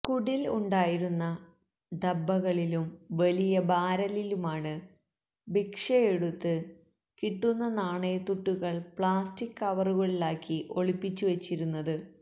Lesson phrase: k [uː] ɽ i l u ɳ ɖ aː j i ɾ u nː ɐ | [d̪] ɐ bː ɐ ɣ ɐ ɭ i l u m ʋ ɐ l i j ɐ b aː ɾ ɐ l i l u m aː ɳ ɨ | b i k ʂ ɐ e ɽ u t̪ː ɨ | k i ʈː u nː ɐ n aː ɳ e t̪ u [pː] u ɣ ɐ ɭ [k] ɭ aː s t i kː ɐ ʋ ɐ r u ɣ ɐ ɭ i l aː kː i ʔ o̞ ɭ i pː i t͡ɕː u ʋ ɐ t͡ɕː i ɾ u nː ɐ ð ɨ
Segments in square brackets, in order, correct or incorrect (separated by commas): incorrect, correct, incorrect, incorrect